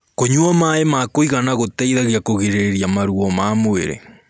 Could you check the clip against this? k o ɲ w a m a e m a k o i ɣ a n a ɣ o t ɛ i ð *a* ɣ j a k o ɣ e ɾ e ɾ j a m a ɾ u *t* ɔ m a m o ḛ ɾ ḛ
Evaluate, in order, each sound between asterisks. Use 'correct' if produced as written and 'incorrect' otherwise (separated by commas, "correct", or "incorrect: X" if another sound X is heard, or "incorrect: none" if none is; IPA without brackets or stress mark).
correct, incorrect: none